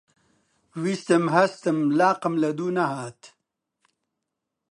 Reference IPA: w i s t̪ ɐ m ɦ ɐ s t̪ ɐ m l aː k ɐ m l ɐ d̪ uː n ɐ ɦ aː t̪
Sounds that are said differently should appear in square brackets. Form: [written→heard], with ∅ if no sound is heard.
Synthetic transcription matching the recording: w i s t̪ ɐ m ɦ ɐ s t̪ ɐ m l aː [k→q] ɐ m l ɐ d̪ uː n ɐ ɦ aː t̪